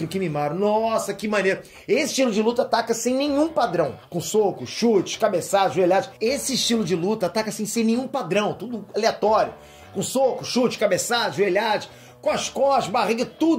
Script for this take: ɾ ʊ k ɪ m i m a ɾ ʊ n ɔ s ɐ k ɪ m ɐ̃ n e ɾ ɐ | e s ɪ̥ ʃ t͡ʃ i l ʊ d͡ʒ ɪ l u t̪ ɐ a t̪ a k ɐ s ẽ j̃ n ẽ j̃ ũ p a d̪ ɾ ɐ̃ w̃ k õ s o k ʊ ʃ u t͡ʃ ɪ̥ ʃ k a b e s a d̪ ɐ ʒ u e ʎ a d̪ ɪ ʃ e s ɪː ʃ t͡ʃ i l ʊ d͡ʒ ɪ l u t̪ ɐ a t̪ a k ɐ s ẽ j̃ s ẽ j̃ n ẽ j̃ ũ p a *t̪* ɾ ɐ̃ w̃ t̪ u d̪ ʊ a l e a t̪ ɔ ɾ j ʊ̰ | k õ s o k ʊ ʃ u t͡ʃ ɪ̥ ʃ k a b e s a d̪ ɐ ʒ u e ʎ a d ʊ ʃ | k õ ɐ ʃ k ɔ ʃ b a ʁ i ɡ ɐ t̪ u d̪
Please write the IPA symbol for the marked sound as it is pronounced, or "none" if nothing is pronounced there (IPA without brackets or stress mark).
d̪